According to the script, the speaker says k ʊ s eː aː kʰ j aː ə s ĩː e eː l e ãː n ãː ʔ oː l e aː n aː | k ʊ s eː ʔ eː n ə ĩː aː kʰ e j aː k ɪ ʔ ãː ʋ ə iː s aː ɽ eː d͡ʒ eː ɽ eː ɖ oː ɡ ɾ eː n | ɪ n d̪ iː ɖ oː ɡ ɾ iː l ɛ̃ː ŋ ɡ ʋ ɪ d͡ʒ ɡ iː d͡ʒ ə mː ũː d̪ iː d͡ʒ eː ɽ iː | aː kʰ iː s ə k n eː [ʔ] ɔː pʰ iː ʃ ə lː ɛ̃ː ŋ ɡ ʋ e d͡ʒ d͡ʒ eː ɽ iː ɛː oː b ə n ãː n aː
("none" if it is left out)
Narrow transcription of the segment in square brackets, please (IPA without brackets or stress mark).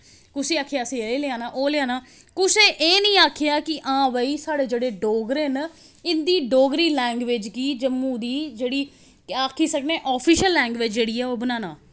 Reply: ʔ